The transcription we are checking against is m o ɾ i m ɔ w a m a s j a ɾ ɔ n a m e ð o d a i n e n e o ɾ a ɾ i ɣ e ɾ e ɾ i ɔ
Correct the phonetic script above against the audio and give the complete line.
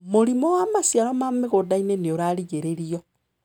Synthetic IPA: m o ɾ i m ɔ w a m a s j a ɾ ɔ m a m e ɣ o d a i n e n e o ɾ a ɾ i ɣ e ɾ e ɾ i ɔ